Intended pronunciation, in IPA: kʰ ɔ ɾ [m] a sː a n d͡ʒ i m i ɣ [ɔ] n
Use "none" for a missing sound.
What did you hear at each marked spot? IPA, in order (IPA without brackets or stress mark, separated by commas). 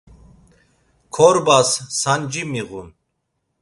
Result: b, u